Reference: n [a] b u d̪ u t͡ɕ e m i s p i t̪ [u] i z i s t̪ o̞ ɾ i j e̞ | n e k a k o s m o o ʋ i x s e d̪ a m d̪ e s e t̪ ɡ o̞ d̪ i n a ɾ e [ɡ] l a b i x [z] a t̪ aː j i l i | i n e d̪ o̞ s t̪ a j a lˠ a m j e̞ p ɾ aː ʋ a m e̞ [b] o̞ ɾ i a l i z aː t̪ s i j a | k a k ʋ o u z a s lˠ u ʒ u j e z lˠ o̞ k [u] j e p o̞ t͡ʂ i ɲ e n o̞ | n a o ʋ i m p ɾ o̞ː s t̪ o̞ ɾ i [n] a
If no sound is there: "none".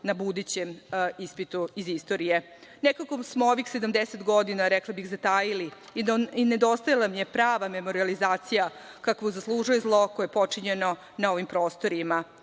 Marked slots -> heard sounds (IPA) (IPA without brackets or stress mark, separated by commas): a, u, k, z, m, o, m